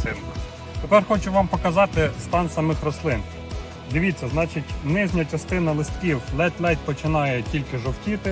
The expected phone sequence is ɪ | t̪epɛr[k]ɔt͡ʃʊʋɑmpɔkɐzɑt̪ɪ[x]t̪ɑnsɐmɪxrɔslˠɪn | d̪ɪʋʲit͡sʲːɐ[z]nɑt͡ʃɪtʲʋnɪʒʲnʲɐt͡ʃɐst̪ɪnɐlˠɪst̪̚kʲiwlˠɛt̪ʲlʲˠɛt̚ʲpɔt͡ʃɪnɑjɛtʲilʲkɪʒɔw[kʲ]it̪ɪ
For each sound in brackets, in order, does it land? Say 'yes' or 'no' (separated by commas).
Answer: no, no, yes, no